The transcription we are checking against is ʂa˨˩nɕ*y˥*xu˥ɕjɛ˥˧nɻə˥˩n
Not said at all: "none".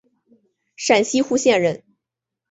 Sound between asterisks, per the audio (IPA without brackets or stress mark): i˥